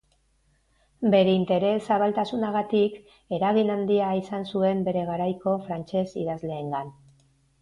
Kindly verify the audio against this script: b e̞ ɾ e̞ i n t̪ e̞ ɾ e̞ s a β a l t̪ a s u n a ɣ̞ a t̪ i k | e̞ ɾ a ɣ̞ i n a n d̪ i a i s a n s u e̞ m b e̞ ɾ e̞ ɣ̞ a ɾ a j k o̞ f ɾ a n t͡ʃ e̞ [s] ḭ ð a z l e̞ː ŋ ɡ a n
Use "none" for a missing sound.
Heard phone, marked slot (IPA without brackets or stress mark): s